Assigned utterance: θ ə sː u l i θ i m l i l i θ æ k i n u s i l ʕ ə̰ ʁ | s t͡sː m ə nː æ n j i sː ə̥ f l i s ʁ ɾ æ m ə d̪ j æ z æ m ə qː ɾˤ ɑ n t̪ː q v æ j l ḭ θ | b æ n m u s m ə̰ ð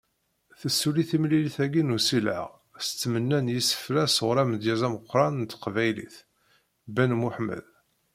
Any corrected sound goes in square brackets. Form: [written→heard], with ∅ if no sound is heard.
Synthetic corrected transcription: θ ə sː u l i θ i m l i l i θ æ [k→ɡ] i n u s i l ʕ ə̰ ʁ | s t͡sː m ə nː æ n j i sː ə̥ f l [i→æ] s ʁ ɾ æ m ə d̪ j æ z æ m ə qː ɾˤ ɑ n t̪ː q v æ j l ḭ θ | b æ n m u [s→ħ] m ə̰ ð